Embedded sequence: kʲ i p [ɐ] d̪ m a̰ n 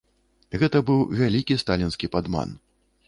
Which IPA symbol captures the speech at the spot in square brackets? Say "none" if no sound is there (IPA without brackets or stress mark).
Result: a